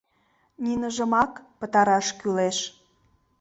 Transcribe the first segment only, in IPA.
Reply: n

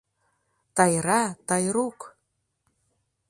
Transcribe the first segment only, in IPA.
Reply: t̪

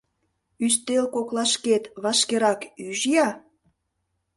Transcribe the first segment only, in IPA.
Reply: y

